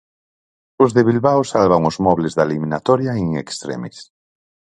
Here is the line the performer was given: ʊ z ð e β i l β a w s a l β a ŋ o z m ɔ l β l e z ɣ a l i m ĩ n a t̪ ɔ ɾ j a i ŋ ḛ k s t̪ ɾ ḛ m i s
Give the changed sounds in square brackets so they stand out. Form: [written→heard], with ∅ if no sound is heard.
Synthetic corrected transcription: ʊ z ð e β i l β a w s a l β a ŋ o z m ɔ [l→∅] β l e z [ɣ→ð] a l i m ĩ n a t̪ ɔ ɾ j a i ŋ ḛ k s t̪ ɾ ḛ m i s